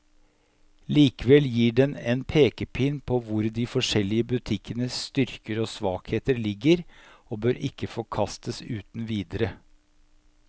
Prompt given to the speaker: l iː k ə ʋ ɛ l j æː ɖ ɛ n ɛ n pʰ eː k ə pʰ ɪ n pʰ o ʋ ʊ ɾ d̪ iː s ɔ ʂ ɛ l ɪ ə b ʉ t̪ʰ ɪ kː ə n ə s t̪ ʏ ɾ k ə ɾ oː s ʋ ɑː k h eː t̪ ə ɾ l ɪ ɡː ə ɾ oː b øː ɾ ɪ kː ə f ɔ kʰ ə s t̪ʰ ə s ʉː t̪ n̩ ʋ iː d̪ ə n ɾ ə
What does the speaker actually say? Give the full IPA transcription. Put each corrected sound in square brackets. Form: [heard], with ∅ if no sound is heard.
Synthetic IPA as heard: l iː k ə ʋ ɛ l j [iː] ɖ ɛ n ɛ n pʰ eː k ə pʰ ɪ n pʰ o ʋ ʊ ɾ d̪ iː [f] ɔ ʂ ɛ l ɪ ə b ʉ t̪ʰ ɪ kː ə n ə s t̪ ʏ ɾ k ə ɾ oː s ʋ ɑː k h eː t̪ ə ɾ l ɪ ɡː ə ɾ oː b øː ɾ ɪ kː ə f ɔ kʰ [ɑ] s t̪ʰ ə s ʉː t̪ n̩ ʋ iː d̪ ə [∅] ɾ ə